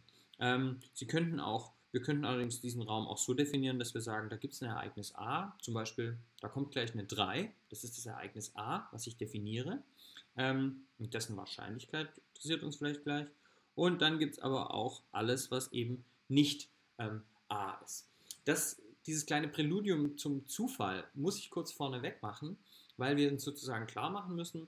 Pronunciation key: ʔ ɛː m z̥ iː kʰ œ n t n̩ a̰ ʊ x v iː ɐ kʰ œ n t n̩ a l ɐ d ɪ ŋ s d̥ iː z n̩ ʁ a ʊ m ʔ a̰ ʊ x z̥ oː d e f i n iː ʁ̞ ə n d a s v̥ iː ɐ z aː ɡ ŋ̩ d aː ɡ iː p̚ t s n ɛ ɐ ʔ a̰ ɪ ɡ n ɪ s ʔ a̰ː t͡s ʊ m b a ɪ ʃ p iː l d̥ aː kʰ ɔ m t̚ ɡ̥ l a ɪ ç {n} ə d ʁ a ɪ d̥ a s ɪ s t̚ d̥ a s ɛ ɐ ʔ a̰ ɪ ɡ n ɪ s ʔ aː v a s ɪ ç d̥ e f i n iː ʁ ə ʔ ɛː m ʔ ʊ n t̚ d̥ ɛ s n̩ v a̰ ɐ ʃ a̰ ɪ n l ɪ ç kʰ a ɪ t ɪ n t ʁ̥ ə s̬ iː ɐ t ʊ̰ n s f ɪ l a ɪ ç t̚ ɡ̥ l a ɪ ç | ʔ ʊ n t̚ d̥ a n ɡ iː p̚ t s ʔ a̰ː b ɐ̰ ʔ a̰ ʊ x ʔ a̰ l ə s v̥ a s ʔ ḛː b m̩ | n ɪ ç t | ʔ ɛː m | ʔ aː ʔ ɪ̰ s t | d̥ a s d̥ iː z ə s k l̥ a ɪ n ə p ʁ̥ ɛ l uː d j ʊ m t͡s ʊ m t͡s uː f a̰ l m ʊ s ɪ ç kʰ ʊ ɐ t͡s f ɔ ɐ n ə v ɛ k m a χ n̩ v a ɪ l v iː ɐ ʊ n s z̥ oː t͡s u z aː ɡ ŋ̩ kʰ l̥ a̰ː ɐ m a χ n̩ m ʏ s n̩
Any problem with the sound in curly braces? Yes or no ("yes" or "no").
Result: no